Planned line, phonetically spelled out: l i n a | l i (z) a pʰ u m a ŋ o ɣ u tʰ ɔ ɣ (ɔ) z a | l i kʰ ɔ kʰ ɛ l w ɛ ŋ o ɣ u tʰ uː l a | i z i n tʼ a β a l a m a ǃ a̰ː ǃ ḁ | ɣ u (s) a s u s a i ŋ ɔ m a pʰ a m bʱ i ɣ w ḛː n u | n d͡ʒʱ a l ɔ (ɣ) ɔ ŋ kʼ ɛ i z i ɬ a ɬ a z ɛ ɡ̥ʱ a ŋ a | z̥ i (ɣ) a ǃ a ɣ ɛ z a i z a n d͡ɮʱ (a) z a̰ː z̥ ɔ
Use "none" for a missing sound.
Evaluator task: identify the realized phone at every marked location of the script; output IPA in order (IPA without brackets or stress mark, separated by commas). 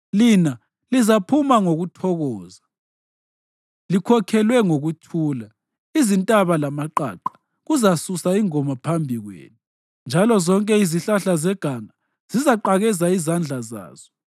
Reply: z, ɔː, z, z, z, a